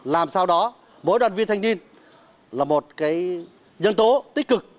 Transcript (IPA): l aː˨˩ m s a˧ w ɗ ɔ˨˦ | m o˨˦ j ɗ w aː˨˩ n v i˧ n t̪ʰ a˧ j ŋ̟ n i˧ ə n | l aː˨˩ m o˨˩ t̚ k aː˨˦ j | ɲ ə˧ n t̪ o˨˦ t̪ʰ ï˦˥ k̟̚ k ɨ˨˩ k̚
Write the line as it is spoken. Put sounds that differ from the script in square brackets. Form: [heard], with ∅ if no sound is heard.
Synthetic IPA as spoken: l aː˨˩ m s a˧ w ɗ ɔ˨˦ | m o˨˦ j ɗ w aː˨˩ n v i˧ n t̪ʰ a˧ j ŋ̟ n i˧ ə n | l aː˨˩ m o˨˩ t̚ k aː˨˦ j | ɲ ə˧ n t̪ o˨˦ [t̪] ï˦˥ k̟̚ k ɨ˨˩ k̚